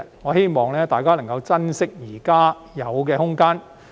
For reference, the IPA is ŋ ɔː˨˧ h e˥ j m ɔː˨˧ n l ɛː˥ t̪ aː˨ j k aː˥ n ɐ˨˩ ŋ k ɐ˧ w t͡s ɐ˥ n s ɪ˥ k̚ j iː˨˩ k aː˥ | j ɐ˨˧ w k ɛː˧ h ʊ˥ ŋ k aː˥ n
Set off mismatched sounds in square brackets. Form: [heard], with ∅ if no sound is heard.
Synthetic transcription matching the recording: ŋ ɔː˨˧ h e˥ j m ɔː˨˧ [ŋ] l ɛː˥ t̪ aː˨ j k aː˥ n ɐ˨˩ ŋ k ɐ˧ w t͡s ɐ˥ n s ɪ˥ k̚ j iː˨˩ k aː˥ | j ɐ˨˧ w k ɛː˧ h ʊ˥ ŋ k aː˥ n